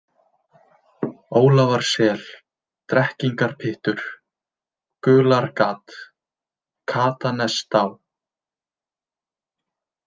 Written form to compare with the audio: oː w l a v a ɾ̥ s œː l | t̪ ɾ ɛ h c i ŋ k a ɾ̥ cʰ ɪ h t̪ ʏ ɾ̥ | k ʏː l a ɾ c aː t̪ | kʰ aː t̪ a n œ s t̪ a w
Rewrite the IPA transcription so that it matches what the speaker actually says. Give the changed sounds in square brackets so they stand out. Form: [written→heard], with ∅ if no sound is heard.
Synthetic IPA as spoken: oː w l a v a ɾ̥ s [œː→ɛː] l | t̪ ɾ ɛ h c i ŋ k a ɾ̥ [cʰ→pʰ] ɪ h t̪ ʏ ɾ̥ | k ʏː l a ɾ [c→k] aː t̪ | kʰ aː t̪ a n [œ→ɛ] s t̪ a w